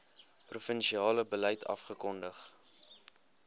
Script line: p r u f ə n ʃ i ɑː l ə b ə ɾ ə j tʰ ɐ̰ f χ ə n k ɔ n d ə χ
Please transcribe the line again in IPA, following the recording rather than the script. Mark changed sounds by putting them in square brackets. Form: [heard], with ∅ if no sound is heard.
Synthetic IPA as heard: p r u f ə n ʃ i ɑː l ə b ə [l] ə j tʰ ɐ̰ f χ ə [∅] k ɔ n d ə χ